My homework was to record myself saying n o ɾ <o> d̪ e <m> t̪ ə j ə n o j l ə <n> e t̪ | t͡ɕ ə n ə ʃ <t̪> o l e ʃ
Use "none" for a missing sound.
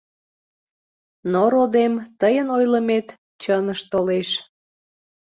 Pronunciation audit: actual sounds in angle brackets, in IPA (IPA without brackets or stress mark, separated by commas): o, m, m, t̪